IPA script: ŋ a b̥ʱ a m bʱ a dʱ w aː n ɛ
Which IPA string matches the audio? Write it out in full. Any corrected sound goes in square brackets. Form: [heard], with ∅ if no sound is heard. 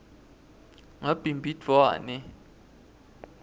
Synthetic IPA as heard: ŋ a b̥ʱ [i] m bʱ [i] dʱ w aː n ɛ